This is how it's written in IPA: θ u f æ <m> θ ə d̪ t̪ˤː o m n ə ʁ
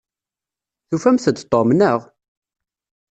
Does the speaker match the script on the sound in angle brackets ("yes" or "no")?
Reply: yes